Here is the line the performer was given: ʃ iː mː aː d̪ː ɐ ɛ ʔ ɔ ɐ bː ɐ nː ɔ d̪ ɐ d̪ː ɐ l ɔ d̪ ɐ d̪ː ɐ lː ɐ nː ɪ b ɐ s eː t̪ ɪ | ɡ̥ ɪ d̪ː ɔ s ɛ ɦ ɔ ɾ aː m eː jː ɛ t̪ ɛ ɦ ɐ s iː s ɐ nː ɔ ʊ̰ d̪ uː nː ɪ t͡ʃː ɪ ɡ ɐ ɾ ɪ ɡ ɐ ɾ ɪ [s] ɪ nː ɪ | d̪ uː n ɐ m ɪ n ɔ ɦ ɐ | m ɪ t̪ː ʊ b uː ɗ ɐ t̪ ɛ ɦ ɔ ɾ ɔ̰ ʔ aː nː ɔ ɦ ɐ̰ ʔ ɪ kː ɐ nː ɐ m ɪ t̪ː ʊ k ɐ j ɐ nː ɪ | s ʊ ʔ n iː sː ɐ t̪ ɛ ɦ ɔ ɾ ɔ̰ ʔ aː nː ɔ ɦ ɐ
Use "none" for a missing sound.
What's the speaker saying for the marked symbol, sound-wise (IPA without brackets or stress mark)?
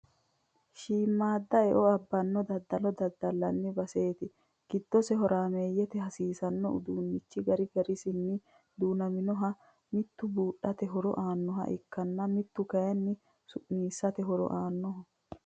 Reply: s